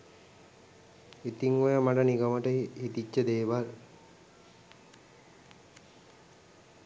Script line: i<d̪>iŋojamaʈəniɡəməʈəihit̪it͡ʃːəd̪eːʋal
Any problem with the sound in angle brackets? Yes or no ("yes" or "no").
yes